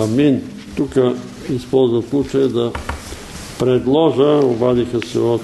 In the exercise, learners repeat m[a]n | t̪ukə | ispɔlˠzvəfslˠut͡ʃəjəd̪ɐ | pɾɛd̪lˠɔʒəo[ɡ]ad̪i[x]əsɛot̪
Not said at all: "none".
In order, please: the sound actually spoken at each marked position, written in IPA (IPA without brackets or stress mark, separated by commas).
i, b, x